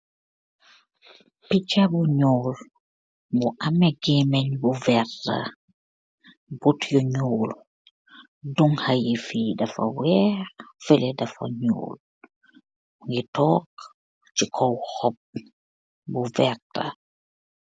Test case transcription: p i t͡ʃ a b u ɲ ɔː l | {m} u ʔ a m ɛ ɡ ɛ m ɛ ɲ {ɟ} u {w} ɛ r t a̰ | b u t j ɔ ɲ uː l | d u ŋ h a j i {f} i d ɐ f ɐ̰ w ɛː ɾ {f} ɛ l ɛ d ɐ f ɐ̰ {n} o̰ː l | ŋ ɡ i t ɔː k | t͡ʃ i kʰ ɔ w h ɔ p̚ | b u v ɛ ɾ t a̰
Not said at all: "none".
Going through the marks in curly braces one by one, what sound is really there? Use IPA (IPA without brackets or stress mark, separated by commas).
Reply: b, b, v, f, f, ɲ